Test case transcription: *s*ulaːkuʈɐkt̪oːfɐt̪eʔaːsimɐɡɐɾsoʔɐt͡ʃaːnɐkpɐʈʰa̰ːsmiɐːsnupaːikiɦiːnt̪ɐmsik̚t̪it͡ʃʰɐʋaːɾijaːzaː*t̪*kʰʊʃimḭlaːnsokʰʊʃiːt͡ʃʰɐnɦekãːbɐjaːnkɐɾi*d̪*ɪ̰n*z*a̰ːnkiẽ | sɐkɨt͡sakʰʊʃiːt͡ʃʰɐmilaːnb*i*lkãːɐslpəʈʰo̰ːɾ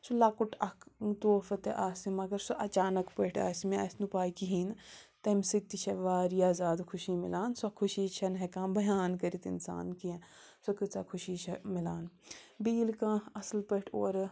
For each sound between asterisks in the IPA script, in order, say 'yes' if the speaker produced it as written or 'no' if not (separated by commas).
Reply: yes, no, no, no, no